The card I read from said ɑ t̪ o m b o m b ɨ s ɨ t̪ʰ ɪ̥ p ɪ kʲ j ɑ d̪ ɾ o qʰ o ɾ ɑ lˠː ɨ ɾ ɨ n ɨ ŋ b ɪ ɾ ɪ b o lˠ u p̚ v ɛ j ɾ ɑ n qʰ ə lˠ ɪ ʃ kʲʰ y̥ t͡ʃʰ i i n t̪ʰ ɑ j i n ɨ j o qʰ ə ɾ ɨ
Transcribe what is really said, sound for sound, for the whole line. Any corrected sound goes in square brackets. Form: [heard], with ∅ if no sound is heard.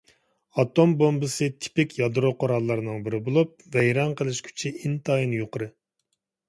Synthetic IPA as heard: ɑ t̪ o m b o m b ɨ s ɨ t̪ʰ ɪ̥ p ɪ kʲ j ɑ d̪ ɾ o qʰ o ɾ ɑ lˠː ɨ ɾ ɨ n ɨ ŋ b ɪ ɾ ɪ b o lˠ u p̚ v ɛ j ɾ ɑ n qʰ ə lˠ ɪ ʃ kʲʰ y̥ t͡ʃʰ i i n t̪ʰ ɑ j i n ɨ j o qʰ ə ɾ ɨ